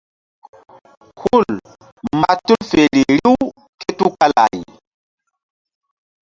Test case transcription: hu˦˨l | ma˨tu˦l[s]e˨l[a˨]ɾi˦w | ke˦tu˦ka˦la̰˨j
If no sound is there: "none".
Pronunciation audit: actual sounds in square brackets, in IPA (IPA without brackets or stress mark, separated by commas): f, i˨